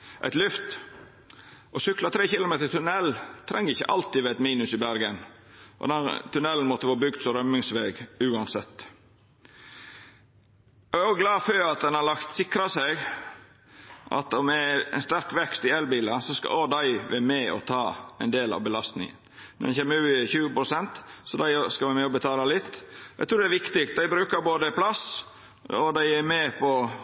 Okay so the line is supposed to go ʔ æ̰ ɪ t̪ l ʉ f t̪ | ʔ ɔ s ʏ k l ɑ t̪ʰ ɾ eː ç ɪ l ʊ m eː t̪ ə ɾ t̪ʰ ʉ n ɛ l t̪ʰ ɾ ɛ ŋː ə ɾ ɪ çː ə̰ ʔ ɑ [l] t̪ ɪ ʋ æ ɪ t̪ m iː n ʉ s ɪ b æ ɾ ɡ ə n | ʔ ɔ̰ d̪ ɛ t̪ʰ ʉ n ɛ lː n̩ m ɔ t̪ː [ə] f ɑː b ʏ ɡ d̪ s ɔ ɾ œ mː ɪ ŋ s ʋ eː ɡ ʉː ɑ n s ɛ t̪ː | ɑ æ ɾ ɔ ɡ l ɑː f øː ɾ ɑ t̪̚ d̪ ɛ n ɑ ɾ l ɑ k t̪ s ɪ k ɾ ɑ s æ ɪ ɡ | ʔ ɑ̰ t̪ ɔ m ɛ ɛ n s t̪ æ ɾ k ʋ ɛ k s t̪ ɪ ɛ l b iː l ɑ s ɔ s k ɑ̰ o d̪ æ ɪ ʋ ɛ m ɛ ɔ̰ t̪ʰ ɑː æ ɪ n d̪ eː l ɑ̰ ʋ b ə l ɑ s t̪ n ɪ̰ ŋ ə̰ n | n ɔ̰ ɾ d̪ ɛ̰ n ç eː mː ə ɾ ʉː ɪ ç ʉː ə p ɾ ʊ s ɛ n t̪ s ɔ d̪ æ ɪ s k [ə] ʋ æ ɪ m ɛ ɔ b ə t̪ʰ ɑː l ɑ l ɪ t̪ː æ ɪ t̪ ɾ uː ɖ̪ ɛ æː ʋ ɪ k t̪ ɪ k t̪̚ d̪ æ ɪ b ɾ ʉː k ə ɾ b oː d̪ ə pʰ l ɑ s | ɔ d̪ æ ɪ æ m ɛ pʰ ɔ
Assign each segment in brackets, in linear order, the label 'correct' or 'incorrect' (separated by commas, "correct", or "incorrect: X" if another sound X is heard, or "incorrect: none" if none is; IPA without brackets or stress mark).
correct, correct, incorrect: ɑ